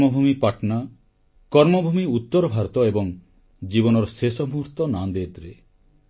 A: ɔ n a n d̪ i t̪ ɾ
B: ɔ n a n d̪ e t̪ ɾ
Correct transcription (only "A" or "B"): B